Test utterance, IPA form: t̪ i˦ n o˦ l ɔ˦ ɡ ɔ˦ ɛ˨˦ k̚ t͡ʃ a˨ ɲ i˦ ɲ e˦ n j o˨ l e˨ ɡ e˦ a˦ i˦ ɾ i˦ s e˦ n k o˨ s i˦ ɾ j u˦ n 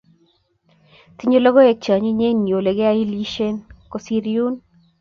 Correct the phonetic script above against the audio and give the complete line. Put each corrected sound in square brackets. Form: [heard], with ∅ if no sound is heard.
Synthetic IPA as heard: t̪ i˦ [ɲ] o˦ l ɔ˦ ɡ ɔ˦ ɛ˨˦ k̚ t͡ʃ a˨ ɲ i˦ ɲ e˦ n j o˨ l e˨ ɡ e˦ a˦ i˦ [l] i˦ [ʃ] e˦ n k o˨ s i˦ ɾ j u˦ n